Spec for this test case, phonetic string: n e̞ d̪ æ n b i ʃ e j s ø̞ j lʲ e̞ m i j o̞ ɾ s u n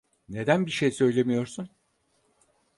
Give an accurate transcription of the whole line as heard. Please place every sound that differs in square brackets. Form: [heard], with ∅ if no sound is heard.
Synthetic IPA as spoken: n e̞ d̪ æ n b i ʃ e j s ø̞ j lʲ e̞ m i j o̞ ɾ s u n